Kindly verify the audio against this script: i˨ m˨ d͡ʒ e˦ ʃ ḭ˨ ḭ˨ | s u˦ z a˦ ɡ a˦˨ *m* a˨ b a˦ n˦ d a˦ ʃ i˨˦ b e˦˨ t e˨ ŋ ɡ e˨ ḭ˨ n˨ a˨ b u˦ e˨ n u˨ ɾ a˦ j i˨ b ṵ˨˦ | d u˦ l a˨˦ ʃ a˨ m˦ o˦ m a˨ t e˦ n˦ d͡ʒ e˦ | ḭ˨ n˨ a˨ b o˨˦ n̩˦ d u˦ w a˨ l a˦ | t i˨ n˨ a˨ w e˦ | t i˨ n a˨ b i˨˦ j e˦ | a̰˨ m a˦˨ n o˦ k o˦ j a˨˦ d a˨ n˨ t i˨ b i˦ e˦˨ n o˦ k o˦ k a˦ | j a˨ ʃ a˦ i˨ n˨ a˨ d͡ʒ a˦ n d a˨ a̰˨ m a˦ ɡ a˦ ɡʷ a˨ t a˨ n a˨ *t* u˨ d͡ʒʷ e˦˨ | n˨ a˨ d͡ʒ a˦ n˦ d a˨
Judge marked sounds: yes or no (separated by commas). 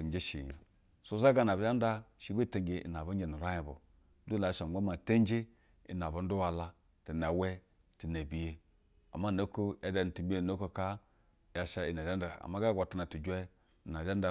no, yes